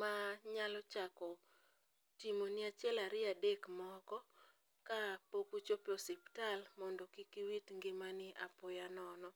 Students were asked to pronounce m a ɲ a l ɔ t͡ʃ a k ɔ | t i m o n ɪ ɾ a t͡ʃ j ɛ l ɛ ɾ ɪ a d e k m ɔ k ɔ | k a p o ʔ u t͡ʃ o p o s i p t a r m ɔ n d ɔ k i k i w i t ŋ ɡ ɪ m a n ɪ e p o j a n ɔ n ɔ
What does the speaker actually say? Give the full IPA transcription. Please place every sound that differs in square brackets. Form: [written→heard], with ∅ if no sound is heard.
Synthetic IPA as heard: m a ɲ a l ɔ t͡ʃ a k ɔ | t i m o n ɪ [ɾ→∅] a t͡ʃ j ɛ l [ɛ→a] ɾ ɪ a d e k m ɔ k ɔ | k a p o [ʔ→k] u t͡ʃ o p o s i p t a [r→l] m ɔ n d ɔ k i k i w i t ŋ ɡ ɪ m a n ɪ [e→a] p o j a n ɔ n ɔ